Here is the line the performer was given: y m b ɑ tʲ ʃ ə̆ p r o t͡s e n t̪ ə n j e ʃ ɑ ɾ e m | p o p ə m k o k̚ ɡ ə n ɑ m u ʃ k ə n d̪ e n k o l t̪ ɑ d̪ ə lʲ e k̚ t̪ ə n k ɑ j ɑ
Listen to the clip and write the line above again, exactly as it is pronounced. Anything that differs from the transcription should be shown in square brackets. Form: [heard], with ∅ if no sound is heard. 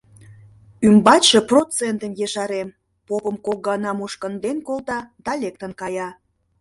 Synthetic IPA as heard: y m b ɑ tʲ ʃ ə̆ p r o t͡s e n t̪ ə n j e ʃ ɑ ɾ e m | p o p ə m k o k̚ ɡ [ɑ] n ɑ m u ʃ k ə n d̪ e n k o l t̪ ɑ d̪ [ɑ] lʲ e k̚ t̪ ə n k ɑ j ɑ

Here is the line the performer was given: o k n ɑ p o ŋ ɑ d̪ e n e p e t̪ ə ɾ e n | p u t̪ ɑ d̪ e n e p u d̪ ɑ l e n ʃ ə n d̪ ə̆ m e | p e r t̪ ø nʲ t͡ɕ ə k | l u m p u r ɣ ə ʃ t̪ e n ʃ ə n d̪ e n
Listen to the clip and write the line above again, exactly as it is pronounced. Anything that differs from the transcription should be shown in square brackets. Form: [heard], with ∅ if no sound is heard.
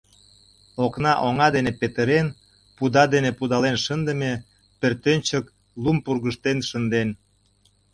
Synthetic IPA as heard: o k n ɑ [ʔ] o ŋ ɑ d̪ e n e p e t̪ ə ɾ e n | p u [d̪] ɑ d̪ e n e p u d̪ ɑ l e n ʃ ə n d̪ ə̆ m e | p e r t̪ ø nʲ t͡ɕ ə k | l u m p u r ɣ ə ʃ t̪ e n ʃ ə n d̪ e n

